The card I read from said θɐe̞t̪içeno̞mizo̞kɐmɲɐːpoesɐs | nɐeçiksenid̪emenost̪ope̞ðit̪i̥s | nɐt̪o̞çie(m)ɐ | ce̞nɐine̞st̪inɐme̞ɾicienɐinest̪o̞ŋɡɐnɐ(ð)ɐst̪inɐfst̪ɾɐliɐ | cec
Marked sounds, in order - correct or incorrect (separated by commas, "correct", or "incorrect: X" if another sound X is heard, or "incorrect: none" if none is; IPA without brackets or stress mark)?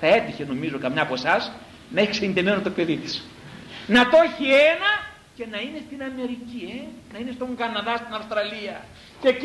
incorrect: n, correct